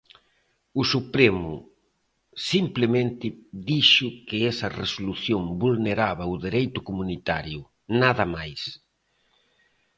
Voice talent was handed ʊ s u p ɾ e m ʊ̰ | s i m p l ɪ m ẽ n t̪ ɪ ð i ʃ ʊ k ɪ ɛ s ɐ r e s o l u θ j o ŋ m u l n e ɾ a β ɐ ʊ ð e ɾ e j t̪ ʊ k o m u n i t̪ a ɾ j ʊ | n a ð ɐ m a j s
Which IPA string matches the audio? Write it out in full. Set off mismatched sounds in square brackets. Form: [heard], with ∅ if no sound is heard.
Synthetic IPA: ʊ s u p ɾ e m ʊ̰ | s i m p l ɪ m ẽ n t̪ ɪ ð i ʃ ʊ k ɪ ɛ s ɐ r e s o l u θ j o ŋ [b] u l n e ɾ a β ɐ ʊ ð e ɾ e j t̪ ʊ k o m u n i t̪ a ɾ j ʊ | n a ð ɐ m a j s